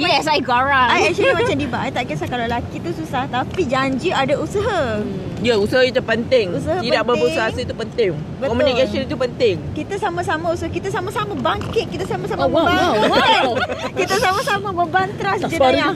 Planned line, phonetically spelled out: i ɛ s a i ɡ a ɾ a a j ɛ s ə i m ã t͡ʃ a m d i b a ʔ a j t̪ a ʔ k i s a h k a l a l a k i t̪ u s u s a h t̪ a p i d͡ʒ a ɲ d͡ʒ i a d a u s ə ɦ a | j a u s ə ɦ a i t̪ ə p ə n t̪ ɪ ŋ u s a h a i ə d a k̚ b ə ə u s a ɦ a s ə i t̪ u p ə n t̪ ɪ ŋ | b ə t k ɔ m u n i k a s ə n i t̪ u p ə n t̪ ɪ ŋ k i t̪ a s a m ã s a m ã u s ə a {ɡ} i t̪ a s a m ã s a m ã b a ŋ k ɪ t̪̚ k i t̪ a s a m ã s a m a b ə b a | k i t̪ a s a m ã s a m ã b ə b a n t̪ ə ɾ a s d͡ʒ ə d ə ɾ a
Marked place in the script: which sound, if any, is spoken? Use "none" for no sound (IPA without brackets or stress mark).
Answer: k